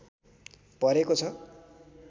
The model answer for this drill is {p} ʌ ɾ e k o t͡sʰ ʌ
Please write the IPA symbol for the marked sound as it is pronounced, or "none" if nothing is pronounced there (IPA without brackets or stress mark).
p